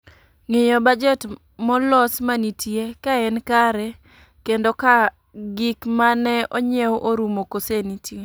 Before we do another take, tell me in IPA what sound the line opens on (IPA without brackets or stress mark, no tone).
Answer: ŋ